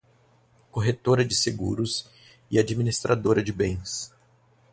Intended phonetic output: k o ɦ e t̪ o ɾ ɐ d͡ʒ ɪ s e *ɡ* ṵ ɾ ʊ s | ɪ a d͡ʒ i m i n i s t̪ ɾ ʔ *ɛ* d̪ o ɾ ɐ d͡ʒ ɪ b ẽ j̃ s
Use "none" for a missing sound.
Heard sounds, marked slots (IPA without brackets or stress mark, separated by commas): ɡ, a